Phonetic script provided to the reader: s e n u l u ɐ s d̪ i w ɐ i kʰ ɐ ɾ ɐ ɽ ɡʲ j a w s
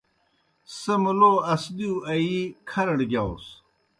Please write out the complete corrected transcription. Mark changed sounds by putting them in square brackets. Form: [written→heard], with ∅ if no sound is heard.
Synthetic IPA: s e [n→m] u l [u→o] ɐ s d̪ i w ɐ i kʰ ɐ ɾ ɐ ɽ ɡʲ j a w s